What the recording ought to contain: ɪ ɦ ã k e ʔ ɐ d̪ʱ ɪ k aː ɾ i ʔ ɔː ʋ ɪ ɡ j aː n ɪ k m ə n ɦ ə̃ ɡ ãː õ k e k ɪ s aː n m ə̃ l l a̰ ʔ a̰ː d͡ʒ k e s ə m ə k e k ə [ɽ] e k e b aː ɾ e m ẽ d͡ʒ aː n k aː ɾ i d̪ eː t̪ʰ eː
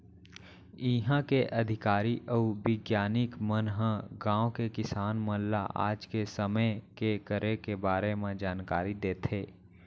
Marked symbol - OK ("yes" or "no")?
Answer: no